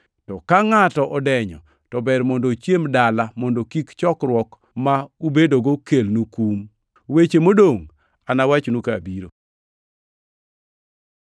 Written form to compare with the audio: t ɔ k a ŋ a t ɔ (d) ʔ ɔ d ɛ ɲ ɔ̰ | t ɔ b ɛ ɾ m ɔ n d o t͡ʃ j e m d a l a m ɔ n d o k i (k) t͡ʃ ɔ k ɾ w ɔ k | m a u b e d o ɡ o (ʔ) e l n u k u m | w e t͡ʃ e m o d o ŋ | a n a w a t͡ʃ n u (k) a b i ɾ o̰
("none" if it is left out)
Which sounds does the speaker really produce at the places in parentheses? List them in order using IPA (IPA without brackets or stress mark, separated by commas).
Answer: none, k, k, k